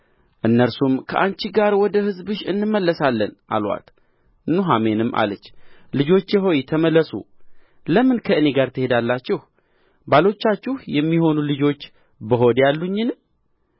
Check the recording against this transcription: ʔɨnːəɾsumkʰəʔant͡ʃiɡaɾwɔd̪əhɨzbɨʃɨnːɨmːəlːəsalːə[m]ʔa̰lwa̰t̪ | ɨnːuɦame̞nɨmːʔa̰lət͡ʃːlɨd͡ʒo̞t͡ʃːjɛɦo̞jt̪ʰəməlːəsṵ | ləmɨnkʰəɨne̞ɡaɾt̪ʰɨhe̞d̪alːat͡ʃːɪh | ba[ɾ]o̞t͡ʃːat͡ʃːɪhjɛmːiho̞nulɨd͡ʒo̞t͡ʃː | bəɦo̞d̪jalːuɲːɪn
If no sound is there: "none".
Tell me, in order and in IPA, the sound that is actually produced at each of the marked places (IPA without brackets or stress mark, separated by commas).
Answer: n, l